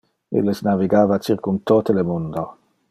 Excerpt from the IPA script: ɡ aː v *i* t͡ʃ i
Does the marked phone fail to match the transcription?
yes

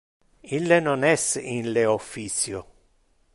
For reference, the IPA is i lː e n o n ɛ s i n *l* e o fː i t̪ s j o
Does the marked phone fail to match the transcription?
no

